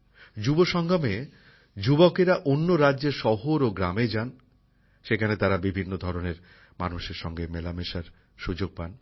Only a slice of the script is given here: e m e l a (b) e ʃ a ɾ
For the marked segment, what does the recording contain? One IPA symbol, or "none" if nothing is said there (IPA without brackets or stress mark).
m